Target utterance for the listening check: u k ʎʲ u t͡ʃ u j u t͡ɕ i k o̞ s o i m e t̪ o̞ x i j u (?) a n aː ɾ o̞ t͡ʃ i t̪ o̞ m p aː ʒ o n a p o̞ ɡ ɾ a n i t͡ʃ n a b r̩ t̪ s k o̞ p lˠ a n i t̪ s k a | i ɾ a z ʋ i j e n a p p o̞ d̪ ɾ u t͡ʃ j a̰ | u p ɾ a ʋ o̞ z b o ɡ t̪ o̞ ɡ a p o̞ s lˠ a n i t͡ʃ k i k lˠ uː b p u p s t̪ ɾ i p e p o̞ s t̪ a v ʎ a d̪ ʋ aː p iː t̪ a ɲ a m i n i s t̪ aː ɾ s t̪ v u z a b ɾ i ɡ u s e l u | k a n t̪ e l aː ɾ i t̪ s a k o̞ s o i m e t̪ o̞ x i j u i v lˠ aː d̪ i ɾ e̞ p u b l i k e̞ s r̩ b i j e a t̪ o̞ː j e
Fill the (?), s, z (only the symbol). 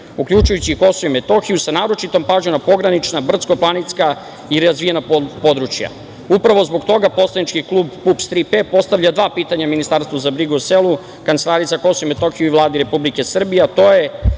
s